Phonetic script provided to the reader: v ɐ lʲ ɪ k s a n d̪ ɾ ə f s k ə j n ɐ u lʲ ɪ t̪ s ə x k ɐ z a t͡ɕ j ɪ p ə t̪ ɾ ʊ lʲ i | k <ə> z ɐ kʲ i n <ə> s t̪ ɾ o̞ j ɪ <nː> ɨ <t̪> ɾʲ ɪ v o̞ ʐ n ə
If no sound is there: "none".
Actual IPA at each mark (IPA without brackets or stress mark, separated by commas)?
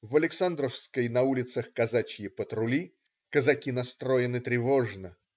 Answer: ə, ɐ, n, t̪